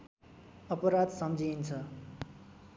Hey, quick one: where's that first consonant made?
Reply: lips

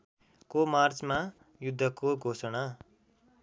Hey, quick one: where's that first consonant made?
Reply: velum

